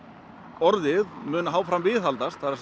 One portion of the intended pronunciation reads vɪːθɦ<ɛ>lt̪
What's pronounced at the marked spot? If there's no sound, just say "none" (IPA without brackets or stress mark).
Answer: a